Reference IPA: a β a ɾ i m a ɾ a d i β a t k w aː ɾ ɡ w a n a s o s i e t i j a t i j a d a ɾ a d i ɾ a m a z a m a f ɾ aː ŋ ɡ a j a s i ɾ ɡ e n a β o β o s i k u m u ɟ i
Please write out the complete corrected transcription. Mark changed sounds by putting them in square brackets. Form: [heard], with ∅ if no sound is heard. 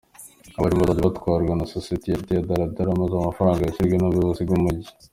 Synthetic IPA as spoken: a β a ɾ i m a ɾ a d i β a t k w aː ɾ ɡ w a n a s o s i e t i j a t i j a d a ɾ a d [a] ɾ a m a z a m a f ɾ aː ŋ ɡ a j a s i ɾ ɡ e n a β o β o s i [ɡ] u m u ɟ i